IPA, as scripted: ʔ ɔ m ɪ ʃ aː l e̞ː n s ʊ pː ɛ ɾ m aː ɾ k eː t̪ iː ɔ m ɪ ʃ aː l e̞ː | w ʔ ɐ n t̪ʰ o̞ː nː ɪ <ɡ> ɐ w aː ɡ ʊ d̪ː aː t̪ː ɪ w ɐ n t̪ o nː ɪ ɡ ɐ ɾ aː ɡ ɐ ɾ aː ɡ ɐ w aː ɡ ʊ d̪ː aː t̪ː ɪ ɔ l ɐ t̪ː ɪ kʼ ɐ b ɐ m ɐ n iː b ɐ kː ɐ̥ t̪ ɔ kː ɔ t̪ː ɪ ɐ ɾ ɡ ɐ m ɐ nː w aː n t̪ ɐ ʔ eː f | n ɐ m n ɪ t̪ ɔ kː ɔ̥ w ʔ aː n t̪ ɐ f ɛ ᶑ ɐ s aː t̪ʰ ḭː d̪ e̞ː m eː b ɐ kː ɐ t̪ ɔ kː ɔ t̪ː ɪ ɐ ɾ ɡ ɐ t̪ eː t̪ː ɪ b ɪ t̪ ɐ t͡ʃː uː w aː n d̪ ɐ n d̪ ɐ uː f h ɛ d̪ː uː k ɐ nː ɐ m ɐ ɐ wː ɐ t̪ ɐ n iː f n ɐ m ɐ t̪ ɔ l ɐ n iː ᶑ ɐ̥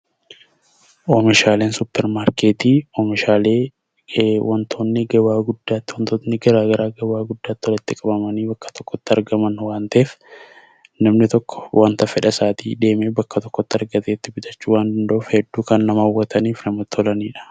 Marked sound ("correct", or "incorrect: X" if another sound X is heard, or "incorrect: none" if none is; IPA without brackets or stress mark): correct